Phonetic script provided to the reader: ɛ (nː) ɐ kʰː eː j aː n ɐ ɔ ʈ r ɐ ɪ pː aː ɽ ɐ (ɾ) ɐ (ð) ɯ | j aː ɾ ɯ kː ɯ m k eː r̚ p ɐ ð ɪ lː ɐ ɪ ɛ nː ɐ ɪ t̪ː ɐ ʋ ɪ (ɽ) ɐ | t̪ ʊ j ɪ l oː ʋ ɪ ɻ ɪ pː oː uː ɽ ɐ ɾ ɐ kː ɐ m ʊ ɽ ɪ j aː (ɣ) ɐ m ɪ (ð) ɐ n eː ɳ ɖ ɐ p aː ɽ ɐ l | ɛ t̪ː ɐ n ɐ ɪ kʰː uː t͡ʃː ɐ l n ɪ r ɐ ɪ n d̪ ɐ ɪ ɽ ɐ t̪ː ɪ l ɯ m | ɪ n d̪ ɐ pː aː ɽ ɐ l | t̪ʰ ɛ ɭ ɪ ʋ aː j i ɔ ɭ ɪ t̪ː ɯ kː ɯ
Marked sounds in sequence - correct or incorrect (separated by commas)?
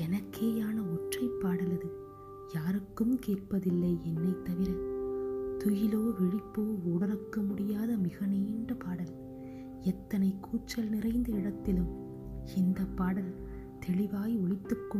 incorrect, incorrect, correct, incorrect, incorrect, incorrect